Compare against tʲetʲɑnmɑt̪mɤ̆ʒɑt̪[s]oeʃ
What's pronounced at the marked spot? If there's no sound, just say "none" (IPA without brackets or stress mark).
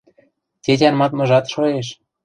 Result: ʃ